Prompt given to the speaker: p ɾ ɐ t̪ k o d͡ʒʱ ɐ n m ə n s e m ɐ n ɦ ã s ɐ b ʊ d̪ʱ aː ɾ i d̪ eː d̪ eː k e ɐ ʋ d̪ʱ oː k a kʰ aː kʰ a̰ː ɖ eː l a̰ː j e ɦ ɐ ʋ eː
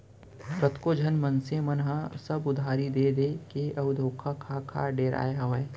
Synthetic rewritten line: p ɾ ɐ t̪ k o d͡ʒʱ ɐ n m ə n s e m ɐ n ɦ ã s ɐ b ʊ d̪ʱ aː ɾ i d̪ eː d̪ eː k e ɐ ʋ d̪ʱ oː kʰ a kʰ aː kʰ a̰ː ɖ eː ɾ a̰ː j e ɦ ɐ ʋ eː